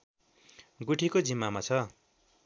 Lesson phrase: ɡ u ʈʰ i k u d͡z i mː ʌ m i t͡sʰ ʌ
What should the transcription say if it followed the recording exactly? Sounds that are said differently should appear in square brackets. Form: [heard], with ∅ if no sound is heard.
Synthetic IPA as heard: ɡ u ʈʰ i k [o] d͡z i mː [a] m [a] t͡sʰ ʌ